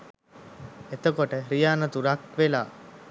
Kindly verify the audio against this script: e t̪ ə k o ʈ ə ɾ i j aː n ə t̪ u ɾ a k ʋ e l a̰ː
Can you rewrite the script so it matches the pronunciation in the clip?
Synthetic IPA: e t̪ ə k o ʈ ə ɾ i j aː n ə t̪ u ɾ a k ʋ e l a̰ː